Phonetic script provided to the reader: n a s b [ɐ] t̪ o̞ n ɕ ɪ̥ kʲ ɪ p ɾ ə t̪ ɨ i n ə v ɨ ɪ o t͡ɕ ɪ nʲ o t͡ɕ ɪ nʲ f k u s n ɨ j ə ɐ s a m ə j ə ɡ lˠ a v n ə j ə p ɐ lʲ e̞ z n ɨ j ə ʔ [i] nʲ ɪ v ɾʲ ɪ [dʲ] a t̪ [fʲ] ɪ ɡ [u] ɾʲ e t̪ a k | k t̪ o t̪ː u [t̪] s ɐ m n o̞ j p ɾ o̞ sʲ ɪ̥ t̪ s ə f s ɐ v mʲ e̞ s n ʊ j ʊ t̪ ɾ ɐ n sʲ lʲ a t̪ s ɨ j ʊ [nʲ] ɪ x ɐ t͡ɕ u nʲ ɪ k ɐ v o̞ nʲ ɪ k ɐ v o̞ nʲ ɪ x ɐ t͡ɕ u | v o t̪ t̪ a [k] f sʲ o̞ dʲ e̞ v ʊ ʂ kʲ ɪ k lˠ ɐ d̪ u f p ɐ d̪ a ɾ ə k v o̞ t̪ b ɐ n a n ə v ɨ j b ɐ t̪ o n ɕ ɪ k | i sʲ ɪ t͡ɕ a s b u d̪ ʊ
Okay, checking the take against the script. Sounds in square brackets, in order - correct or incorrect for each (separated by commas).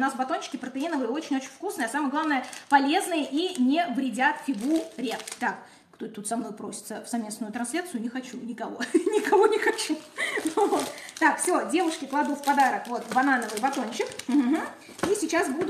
correct, correct, correct, correct, correct, correct, correct, correct